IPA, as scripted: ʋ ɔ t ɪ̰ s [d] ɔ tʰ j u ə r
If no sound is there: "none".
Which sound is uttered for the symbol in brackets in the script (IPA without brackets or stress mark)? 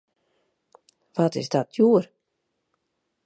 d